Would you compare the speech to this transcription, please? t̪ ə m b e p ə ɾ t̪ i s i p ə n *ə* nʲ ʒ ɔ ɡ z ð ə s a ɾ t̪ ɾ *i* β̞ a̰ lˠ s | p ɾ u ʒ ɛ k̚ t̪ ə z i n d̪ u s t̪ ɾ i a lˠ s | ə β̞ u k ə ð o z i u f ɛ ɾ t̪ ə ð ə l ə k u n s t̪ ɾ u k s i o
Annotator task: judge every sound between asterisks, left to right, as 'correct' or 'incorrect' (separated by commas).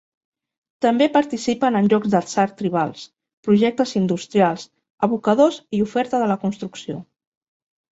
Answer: correct, correct